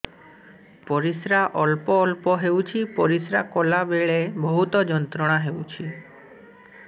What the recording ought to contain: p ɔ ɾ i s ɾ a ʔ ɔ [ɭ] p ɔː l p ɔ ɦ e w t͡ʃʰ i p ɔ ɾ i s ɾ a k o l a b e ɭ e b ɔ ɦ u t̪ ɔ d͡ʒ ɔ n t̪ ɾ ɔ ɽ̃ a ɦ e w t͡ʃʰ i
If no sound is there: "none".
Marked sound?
l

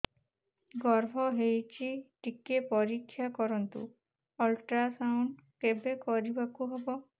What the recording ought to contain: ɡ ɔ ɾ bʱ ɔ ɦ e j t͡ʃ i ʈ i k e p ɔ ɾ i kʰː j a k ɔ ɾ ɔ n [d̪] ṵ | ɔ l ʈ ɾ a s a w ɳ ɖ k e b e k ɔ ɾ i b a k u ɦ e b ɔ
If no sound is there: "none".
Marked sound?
t̪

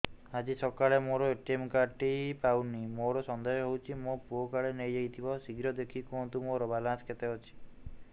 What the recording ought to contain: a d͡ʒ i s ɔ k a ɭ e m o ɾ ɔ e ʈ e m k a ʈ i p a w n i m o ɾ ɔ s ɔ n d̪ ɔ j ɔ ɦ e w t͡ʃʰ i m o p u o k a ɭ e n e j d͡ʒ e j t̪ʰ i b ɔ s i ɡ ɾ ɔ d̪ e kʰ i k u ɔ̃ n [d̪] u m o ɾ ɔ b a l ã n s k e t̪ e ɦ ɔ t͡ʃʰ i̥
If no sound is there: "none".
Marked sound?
t̪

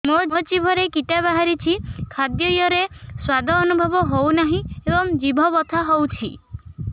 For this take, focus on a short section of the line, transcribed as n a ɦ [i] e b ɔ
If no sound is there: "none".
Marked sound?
ĩ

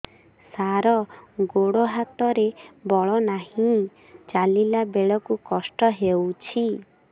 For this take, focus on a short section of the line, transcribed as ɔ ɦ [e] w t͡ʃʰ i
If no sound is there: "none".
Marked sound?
e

